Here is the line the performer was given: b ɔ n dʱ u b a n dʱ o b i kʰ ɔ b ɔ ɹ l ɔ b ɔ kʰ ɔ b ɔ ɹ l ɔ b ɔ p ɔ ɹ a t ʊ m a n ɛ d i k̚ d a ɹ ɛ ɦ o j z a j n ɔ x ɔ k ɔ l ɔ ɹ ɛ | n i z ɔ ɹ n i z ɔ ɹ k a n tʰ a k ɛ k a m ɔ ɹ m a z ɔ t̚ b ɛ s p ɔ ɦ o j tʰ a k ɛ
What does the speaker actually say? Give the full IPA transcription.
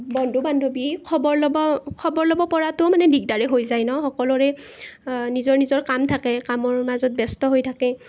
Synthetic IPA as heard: b ɔ n dʱ u b a n dʱ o b i kʰ ɔ b ɔ ɹ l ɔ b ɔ kʰ ɔ b ɔ ɹ l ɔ b ɔ p ɔ ɹ a t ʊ m a n ɛ d i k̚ d a ɹ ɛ ɦ o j z a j n ɔ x ɔ k ɔ l ɔ ɹ ɛ | n i z ɔ ɹ n i z ɔ ɹ k a m tʰ a k ɛ k a m ɔ ɹ m a z ɔ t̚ b ɛ s t ɔ ɦ o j tʰ a k ɛ